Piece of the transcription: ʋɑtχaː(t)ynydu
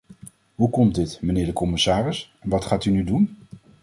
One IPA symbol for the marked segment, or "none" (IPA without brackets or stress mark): t